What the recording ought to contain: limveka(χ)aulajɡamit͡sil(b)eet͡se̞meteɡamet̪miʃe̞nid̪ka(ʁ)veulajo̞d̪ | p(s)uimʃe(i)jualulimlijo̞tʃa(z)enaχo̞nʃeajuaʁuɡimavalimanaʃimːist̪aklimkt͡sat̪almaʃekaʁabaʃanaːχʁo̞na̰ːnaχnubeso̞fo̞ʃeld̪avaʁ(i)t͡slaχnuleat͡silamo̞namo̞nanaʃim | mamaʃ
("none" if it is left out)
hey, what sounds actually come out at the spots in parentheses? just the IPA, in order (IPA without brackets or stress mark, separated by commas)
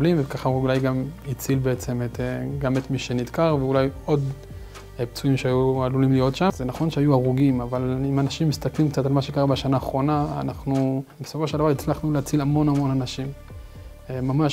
χ, b, ʁ, t͡s, a, z, i